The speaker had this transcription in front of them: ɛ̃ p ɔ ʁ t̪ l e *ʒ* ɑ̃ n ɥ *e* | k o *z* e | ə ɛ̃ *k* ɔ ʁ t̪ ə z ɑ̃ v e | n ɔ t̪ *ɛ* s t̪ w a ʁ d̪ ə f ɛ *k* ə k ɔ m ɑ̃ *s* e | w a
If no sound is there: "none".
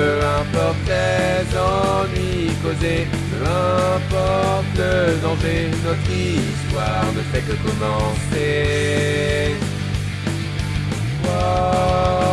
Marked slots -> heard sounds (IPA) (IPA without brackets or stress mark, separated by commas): z, i, z, p, i, k, s